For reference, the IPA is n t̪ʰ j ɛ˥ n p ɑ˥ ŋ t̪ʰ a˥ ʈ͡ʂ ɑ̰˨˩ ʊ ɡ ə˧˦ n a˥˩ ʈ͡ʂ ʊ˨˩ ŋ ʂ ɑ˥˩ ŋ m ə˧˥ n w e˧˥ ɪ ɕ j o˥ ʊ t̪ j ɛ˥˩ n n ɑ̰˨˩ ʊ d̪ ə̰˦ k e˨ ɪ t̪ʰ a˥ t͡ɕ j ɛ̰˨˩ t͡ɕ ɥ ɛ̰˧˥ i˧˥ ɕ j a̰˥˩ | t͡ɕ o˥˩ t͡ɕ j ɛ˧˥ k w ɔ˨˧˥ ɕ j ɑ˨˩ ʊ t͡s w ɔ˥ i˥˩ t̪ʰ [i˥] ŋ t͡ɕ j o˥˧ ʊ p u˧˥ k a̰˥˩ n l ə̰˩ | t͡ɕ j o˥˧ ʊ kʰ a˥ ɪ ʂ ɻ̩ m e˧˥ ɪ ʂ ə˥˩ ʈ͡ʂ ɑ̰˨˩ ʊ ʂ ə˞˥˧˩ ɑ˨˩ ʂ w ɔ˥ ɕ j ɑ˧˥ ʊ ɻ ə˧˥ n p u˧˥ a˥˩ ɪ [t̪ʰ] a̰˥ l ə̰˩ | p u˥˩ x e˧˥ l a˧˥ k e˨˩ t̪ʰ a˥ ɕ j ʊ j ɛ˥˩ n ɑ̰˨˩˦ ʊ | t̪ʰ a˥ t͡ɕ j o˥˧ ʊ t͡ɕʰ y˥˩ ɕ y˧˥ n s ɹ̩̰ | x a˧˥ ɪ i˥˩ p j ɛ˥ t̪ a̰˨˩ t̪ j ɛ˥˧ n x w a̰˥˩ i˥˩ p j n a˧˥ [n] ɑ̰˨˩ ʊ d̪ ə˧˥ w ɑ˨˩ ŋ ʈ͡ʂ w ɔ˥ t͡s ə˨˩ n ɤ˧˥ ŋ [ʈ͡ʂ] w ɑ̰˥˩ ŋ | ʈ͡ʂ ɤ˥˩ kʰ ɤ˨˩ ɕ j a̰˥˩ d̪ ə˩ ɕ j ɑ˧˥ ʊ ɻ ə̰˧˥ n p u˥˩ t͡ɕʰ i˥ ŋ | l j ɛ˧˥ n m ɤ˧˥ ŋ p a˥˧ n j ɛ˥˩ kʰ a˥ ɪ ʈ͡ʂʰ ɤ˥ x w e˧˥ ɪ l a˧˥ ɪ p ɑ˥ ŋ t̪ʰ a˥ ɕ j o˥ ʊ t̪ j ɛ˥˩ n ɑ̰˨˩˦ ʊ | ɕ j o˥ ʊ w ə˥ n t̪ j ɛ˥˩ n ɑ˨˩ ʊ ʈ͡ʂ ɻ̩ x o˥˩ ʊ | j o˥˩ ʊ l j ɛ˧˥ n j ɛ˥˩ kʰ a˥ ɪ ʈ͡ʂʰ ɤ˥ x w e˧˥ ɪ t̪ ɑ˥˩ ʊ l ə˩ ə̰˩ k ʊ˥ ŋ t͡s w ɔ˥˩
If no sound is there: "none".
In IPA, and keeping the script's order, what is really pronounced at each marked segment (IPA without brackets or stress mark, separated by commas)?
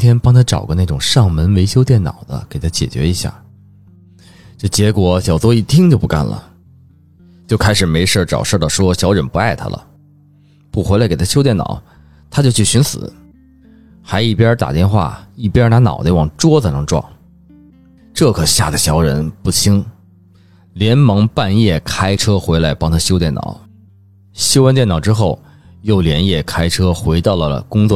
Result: i˥, t̪ʰ, n, ʈ͡ʂ